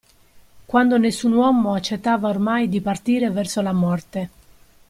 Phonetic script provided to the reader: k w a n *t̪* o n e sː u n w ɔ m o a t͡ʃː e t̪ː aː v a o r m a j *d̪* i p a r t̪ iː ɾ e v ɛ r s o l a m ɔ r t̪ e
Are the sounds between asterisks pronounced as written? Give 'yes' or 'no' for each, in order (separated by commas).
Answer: no, yes